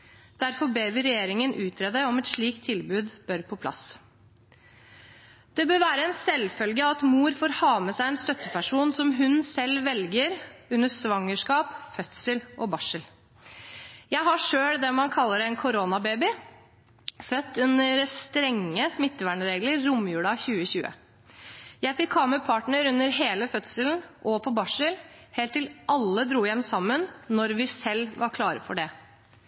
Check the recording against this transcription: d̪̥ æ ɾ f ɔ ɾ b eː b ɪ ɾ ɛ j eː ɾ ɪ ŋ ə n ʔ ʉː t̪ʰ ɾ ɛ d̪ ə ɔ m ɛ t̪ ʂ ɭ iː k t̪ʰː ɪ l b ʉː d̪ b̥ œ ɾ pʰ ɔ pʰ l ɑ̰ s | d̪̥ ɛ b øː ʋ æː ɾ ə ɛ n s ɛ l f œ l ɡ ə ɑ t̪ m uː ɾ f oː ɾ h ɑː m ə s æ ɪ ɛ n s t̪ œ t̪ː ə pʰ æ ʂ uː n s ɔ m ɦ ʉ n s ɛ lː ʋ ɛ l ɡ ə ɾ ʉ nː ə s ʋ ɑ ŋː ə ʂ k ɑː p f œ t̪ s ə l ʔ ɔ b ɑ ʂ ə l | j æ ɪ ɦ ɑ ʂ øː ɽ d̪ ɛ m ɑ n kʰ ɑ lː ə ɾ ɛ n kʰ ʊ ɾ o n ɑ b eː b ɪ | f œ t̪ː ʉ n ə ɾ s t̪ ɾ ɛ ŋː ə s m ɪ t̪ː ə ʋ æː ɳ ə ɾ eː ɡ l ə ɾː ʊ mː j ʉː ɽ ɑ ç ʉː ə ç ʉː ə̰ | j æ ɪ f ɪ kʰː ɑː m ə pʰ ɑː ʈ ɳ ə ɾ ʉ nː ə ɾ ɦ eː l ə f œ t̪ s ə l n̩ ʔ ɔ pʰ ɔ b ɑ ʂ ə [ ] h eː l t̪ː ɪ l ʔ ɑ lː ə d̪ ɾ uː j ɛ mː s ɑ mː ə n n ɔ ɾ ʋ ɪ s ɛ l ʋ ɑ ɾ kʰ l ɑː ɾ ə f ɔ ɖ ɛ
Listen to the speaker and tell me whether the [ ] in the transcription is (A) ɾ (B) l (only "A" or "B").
B